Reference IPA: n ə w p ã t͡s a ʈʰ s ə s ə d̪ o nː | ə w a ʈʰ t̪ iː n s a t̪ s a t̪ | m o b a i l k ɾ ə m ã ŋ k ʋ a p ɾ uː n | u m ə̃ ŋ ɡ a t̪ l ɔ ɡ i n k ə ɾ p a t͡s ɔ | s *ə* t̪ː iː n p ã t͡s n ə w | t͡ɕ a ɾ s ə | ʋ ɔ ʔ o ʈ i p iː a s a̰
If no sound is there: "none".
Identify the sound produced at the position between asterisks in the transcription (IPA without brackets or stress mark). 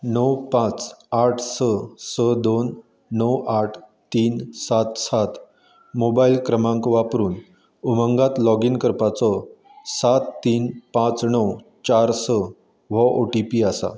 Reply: a